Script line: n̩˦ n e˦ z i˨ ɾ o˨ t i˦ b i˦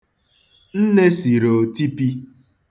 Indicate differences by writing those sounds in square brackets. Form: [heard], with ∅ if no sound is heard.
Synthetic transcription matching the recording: n̩˦ n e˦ [s] i˨ ɾ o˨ t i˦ [p] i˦